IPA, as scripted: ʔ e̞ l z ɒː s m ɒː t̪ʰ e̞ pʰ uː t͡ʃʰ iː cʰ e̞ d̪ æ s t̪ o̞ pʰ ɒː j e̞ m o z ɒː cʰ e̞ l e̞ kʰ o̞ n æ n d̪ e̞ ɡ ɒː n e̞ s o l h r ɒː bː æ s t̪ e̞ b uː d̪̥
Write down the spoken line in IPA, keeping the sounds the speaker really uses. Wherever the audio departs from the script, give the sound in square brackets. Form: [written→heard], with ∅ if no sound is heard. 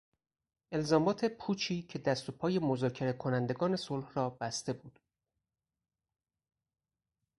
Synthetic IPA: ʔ e̞ l z ɒː [s→∅] m ɒː t̪ʰ e̞ pʰ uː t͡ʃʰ iː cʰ e̞ d̪ æ s t̪ o̞ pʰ ɒː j e̞ m o z ɒː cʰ e̞ [l→ɾ] e̞ kʰ o̞ n æ n d̪ e̞ ɡ ɒː n e̞ s o l h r ɒː [bː→b] æ s t̪ e̞ b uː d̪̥

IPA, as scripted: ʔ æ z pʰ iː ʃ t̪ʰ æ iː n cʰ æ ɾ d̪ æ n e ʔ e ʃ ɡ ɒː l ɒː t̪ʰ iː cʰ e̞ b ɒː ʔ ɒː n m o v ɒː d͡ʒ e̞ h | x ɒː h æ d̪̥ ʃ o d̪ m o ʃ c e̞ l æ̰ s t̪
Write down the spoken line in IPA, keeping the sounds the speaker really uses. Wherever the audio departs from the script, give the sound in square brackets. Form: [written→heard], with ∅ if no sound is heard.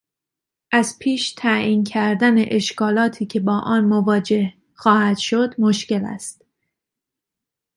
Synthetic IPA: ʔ æ z pʰ iː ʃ t̪ʰ æ iː n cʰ æ ɾ d̪ æ n e ʔ e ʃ [ɡ→k] ɒː l ɒː t̪ʰ iː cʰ e̞ b ɒː ʔ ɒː n m o v ɒː d͡ʒ e̞ h | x ɒː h æ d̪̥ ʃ o d̪ m o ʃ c e̞ l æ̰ s t̪

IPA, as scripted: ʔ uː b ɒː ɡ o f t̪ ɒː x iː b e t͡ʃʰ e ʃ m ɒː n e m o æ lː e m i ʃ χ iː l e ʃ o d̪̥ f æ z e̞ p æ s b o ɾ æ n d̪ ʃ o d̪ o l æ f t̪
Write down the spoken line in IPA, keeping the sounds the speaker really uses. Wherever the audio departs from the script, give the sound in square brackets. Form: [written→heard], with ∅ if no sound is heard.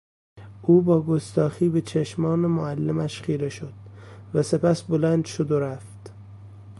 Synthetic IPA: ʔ uː b ɒː ɡ o [f→s] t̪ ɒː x iː b e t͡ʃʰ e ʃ m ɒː n e m o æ lː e m [i→æ] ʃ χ iː [l→ɾ] e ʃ o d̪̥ [f→v] æ [z→s] e̞ p æ s b o [ɾ→l] æ n d̪ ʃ o d̪ o [l→ɾ] æ f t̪

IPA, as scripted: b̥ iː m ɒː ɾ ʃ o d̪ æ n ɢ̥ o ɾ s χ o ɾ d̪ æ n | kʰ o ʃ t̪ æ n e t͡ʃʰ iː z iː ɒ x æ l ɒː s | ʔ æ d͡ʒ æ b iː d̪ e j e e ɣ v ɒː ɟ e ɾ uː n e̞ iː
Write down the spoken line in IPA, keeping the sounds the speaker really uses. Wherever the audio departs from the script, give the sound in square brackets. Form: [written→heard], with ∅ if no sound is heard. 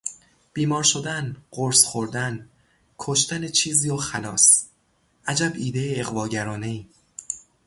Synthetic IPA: b̥ iː m ɒː ɾ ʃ o d̪ æ n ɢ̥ o ɾ s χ o ɾ d̪ æ n | kʰ o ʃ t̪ æ n e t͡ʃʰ iː z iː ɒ x æ l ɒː s | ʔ æ d͡ʒ æ b iː d̪ e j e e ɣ v ɒː ɟ [e→æ] ɾ [uː→ɒː] n e̞ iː

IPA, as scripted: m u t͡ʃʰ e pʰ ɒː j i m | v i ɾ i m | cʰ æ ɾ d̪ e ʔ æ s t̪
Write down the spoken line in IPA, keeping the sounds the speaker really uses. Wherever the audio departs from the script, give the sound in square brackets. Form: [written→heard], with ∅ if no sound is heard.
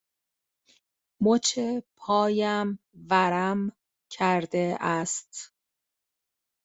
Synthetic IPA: m [u→o] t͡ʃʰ e pʰ ɒː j [i→æ] m | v [i→æ] ɾ [i→æ] m | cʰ æ ɾ d̪ e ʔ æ s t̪

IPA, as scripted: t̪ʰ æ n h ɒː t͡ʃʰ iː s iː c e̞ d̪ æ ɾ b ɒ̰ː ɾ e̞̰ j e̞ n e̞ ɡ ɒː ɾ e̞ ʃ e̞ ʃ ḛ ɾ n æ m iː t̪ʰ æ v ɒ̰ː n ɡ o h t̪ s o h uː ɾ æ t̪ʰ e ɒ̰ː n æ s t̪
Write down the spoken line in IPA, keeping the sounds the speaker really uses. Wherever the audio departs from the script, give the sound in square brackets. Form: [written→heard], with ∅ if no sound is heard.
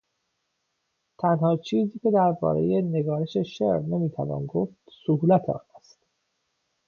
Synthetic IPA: t̪ʰ æ n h ɒː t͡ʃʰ iː [s→z] iː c e̞ d̪ æ ɾ b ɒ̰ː ɾ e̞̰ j e̞ n e̞ ɡ ɒː ɾ e̞ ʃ e̞ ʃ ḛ ɾ n [æ→e] m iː t̪ʰ æ v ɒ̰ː n ɡ o [h→f] t̪ s o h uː [ɾ→l] æ t̪ʰ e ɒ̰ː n æ s t̪

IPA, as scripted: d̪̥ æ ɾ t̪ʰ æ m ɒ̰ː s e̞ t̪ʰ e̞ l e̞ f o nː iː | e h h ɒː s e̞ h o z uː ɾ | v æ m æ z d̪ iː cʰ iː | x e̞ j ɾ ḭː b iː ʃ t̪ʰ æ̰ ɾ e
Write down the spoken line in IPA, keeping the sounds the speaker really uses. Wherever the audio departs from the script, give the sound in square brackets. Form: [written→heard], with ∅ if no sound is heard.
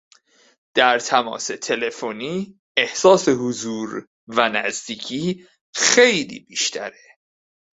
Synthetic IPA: d̪̥ æ ɾ t̪ʰ æ m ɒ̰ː s e̞ t̪ʰ e̞ l e̞ f o [nː→n] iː | e h [h→s] ɒː s e̞ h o z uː ɾ | v æ [m→n] æ z d̪ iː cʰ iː | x e̞ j [ɾ→l] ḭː b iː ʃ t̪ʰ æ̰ ɾ e

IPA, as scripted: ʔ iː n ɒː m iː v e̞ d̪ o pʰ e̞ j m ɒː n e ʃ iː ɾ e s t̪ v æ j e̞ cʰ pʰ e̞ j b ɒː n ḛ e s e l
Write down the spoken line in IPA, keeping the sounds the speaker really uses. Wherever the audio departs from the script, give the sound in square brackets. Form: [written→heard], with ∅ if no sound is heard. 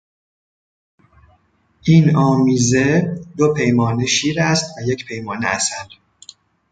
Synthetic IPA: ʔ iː n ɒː m iː [v→z] e̞ d̪ o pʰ e̞ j m ɒː n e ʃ iː ɾ [e→æ] s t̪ v æ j e̞ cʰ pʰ e̞ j [b→m] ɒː n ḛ [e→æ] s [e→æ] l

